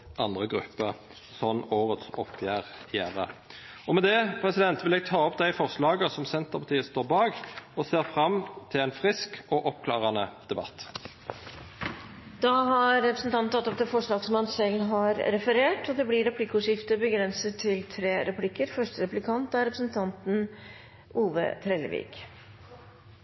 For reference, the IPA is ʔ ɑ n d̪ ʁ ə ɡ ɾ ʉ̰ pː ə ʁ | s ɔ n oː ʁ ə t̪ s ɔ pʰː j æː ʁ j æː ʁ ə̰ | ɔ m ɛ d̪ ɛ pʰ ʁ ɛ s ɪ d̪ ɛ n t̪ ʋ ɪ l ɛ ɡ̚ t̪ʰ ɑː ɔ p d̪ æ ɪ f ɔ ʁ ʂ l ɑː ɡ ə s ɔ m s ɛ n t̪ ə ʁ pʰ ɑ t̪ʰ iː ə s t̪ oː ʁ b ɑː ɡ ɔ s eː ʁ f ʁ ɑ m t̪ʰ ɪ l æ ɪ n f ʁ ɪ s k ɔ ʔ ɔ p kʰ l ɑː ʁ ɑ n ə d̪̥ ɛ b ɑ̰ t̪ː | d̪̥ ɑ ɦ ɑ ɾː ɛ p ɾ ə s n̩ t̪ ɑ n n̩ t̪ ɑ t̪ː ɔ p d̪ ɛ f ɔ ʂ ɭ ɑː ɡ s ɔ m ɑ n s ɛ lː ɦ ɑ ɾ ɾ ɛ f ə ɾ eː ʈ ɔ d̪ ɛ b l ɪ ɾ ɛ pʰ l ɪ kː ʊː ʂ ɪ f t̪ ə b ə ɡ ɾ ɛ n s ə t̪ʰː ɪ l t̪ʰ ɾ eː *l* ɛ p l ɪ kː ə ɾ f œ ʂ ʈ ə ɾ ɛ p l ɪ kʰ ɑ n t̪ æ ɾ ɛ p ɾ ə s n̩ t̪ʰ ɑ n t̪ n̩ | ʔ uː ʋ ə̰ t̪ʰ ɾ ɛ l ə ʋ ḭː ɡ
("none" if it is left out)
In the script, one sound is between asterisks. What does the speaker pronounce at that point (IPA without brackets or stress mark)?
ɾ